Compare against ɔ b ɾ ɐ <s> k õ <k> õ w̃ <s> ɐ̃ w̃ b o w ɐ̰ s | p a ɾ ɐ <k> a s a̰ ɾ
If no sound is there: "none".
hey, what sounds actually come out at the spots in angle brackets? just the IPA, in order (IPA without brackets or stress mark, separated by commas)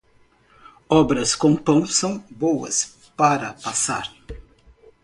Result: s, p, s, p